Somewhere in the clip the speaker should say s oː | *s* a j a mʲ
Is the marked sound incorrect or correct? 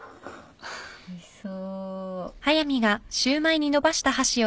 incorrect: h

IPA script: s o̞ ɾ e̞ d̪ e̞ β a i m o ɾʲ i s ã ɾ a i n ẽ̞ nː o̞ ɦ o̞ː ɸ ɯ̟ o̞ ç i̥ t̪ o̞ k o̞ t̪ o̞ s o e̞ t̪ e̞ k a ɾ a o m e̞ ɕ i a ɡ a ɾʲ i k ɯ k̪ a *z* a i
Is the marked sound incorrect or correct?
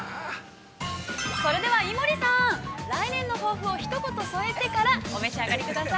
incorrect: s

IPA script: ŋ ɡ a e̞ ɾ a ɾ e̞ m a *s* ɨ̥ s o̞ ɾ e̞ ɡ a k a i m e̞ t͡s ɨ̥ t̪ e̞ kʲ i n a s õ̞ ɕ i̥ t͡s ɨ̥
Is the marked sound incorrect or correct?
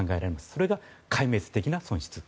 correct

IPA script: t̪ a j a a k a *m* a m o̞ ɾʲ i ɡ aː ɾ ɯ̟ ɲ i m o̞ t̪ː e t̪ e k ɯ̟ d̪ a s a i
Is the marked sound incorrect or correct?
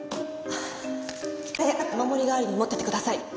correct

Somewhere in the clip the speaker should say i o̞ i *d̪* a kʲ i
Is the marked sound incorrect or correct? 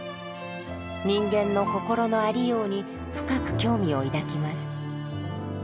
correct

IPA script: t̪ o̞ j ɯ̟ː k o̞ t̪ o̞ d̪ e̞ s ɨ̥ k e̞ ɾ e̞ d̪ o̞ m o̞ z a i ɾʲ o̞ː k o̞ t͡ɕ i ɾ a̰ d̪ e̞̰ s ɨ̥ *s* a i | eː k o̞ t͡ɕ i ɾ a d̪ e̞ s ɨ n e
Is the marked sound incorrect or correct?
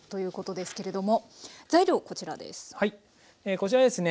incorrect: h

